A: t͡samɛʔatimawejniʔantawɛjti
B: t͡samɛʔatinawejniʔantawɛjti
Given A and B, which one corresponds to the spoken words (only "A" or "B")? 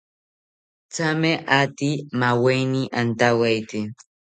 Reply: A